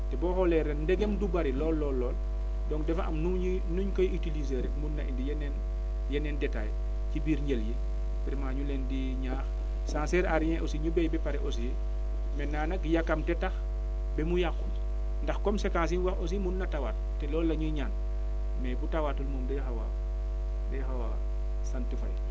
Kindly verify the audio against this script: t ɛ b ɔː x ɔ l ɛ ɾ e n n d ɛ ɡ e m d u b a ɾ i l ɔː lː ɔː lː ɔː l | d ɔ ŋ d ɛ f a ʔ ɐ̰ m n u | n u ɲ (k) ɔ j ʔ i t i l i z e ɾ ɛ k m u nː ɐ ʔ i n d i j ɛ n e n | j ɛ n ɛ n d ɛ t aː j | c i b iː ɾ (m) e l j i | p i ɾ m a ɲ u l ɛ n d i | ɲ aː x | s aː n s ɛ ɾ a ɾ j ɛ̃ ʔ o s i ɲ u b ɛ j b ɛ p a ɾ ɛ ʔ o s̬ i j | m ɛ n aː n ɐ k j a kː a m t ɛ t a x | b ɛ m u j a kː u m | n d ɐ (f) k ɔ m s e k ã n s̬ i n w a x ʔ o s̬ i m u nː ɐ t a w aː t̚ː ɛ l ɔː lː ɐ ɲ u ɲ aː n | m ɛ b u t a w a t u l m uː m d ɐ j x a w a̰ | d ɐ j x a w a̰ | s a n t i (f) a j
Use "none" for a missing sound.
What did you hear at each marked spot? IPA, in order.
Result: k, ɲ, x, f

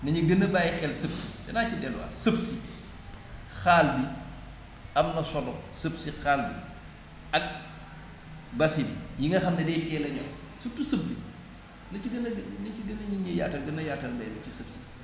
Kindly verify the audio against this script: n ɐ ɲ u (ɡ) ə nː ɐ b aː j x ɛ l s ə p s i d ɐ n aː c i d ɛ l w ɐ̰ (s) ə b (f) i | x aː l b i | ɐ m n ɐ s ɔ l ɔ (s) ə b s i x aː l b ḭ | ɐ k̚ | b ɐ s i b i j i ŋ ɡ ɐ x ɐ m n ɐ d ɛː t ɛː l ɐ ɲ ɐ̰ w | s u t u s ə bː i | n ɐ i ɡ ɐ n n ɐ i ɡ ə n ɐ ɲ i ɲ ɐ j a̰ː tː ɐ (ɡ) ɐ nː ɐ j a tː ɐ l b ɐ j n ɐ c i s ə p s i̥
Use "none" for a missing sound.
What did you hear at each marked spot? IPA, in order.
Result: ɡ, s, s, s, ɡ

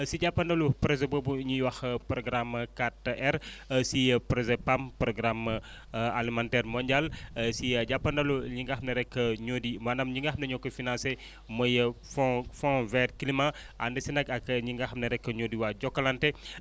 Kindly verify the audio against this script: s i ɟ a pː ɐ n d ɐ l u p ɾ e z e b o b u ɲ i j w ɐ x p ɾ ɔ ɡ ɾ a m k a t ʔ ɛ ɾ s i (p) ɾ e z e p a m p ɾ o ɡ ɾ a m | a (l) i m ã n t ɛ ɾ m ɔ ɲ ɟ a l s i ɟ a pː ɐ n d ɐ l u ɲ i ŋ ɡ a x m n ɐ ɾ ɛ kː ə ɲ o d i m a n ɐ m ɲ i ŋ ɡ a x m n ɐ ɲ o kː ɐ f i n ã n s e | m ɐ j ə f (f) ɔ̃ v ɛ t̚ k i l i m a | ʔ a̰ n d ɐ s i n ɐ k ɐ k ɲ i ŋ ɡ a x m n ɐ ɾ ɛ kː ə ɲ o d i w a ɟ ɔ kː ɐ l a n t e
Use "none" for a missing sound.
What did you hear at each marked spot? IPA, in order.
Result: p, l, f

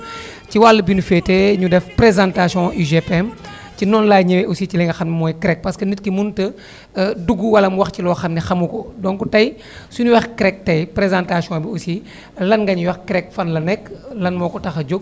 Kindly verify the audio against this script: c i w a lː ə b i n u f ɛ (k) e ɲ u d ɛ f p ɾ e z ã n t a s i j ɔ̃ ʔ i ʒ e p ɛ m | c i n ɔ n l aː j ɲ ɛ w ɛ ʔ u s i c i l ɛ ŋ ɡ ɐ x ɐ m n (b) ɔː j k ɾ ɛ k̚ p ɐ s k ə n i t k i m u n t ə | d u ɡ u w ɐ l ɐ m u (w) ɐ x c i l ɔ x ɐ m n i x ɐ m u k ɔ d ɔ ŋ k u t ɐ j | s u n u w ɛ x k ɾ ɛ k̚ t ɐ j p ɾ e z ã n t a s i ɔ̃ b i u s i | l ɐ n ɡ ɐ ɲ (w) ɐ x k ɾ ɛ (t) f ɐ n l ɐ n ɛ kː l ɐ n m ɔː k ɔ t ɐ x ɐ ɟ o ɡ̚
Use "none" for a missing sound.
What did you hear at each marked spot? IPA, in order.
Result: t, m, w, w, k

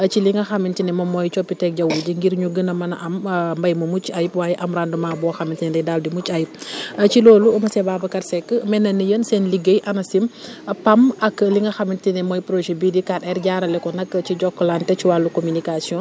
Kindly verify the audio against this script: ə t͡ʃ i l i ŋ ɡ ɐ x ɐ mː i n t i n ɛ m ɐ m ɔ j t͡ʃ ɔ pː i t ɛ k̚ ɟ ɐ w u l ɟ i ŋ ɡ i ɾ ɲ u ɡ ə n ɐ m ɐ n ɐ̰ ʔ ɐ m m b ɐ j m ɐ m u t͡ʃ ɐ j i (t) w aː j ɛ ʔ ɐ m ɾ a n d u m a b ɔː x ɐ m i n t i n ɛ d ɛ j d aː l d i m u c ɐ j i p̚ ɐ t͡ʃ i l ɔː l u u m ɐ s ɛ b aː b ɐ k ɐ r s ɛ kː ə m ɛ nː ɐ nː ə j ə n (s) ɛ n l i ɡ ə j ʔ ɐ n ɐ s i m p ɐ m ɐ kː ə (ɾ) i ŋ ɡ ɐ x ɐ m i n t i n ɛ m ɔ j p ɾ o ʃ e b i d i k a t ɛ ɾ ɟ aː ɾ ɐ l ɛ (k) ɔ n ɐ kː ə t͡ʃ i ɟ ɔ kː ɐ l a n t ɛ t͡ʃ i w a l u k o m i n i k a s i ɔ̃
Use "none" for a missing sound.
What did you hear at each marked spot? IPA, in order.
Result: p, s, l, k

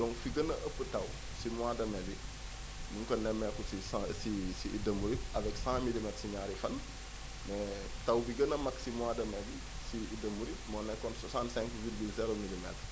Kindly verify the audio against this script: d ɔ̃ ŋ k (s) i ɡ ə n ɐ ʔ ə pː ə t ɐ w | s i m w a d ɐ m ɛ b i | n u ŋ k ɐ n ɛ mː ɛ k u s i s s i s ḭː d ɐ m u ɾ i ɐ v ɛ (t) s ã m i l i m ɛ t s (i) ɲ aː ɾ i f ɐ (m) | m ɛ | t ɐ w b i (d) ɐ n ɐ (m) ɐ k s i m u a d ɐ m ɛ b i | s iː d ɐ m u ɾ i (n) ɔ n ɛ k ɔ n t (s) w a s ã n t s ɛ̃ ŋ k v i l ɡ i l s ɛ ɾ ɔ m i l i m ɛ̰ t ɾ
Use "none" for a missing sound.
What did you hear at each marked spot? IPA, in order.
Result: f, k, i, n, ɡ, m, m, s

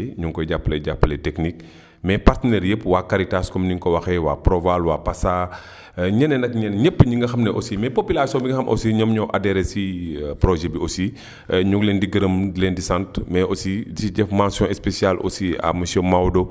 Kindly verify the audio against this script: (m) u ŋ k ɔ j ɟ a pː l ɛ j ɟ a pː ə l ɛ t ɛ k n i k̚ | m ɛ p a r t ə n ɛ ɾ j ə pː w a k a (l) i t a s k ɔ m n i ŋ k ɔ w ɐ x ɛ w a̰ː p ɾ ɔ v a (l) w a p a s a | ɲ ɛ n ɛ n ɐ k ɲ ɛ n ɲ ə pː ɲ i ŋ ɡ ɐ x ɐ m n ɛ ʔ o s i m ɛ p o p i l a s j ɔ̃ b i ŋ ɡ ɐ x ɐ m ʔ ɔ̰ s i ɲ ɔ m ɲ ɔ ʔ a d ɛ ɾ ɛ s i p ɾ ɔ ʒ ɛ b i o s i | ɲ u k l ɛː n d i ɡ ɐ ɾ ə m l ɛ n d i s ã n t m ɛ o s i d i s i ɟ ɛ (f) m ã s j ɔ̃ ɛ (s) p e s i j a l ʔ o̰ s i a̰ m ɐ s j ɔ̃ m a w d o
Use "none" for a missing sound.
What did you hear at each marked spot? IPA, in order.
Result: ɲ, ɾ, l, f, s

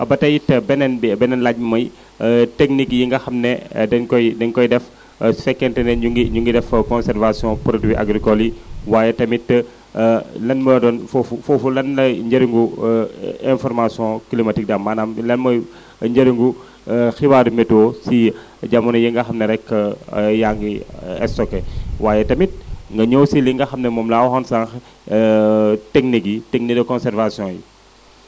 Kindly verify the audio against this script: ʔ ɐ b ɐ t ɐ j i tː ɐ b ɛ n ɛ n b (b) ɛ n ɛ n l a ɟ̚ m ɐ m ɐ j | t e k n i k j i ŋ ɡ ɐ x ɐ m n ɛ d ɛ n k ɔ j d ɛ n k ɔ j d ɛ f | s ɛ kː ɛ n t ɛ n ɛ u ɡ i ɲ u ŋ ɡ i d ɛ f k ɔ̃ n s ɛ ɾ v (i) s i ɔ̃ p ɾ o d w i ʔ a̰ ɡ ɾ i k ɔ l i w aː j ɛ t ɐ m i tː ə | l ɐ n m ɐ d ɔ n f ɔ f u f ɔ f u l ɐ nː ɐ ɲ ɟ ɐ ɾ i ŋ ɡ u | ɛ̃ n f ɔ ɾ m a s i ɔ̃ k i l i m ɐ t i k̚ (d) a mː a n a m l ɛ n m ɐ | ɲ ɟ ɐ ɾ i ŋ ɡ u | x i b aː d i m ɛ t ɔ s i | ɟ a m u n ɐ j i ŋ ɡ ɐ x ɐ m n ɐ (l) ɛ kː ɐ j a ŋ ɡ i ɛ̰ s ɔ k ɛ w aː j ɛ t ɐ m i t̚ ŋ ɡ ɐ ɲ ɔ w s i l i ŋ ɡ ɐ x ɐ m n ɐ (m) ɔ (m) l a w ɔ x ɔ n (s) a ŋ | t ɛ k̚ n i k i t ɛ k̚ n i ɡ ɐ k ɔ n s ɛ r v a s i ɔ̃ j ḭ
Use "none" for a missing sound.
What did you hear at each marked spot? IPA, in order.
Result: b, a, d, ɾ, m, m, s

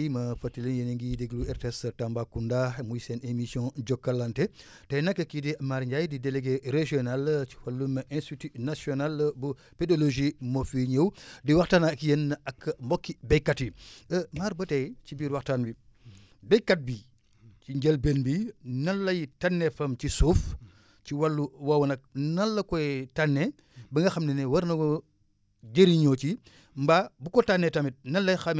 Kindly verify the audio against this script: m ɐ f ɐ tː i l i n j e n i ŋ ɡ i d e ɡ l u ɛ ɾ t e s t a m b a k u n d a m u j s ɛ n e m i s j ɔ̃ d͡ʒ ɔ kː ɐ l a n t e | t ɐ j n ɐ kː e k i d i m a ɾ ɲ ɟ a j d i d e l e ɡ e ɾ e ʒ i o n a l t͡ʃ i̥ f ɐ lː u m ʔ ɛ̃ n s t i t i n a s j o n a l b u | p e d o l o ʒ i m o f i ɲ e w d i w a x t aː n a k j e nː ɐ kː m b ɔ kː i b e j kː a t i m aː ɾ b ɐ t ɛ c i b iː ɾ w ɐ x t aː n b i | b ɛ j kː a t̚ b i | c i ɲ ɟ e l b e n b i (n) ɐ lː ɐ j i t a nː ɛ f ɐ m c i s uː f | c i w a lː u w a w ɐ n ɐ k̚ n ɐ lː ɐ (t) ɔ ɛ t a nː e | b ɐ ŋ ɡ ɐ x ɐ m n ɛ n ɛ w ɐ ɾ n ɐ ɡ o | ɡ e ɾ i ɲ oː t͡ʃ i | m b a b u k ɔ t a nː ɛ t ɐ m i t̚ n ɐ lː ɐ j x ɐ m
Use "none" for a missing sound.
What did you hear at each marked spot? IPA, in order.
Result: n, k

